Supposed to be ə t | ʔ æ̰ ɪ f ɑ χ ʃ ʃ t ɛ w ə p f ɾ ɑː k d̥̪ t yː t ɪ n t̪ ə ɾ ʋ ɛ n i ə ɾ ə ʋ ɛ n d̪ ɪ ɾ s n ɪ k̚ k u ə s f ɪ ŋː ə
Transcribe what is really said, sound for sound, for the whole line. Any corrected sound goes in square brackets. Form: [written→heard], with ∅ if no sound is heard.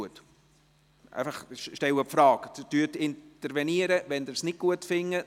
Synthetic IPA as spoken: ə t | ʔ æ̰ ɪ f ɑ χ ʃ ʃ t ɛ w ə p f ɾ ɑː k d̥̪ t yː t ɪ n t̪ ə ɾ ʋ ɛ n i ə ɾ ə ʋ ɛ n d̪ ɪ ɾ s n ɪ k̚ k u ə [s→t] f ɪ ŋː ə